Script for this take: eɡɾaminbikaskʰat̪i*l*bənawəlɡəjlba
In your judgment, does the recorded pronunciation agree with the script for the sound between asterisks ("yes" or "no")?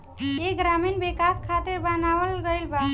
no